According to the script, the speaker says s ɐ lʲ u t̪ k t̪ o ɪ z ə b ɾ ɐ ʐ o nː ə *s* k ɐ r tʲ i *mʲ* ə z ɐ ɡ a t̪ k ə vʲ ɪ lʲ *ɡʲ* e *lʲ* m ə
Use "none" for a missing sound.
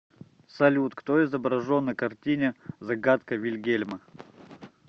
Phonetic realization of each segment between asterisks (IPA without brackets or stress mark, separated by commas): none, nʲ, ɡʲ, lʲ